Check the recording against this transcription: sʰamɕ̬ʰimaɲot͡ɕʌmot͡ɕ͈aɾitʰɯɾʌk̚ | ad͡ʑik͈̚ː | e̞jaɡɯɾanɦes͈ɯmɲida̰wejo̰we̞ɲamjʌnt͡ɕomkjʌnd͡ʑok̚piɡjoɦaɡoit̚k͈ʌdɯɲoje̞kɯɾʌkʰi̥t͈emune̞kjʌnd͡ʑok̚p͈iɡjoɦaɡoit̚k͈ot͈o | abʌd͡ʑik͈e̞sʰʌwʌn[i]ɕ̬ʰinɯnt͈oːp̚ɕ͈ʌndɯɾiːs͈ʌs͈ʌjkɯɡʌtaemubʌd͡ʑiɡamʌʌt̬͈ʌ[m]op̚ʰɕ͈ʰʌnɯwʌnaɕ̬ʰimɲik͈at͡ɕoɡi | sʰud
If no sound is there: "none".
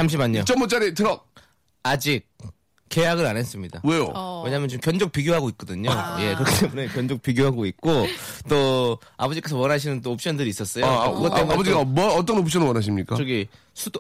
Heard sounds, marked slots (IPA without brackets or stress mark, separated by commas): a, n